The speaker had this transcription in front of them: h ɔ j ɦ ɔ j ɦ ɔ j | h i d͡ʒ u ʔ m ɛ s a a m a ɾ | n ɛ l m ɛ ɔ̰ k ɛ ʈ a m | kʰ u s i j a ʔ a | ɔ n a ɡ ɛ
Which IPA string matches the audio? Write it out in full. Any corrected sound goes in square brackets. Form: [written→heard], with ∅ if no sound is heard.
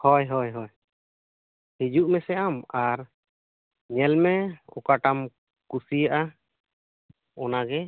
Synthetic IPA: h ɔ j ɦ ɔ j ɦ ɔ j | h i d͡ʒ u ʔ m ɛ s [a→ɛ] a m a ɾ | [n→ɲ] ɛ l m ɛ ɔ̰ k [ɛ→a] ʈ a m | [kʰ→k] u s i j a ʔ a | ɔ n a ɡ ɛ